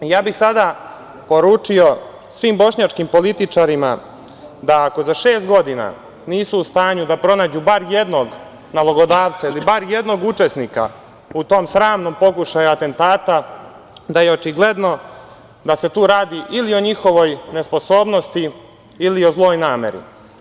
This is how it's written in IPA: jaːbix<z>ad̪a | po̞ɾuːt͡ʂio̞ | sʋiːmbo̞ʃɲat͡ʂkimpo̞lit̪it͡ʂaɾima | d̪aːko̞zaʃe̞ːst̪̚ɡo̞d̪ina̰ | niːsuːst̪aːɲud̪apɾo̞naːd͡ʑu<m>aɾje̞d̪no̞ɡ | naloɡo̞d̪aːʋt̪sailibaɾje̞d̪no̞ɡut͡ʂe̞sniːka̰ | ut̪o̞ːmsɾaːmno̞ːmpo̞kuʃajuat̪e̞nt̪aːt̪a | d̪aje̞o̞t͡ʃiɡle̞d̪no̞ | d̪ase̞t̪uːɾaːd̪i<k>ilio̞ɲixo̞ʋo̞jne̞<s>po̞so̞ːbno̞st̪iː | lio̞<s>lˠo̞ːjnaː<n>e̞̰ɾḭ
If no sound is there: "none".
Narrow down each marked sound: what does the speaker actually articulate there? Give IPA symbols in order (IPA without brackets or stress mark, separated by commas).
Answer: s, b, ʔ, s, z, m